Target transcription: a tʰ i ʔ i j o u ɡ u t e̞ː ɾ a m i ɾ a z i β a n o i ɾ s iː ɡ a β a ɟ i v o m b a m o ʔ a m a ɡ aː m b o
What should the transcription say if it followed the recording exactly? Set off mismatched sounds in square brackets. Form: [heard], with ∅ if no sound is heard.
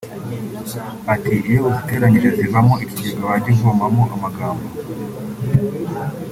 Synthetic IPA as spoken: a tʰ i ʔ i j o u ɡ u t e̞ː ɾ a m i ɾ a z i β a [m] o i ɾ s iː ɡ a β a ɟ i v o m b a m o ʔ a m a ɡ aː m b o